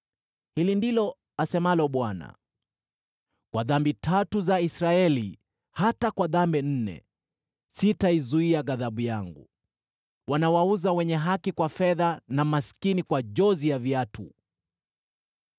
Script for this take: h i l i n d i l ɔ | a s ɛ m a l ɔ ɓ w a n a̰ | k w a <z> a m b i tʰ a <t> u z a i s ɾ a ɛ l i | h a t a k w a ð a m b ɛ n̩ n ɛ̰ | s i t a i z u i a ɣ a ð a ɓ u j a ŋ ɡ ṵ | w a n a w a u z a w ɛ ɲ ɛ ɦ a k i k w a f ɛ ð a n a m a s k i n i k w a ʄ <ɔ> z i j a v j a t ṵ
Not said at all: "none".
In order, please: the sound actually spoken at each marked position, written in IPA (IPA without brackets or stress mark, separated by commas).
ð, t, ɔ